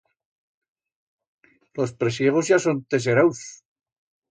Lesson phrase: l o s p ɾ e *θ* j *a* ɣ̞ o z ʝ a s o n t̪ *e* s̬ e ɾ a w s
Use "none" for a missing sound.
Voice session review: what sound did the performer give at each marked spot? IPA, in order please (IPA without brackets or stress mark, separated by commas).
s, e, e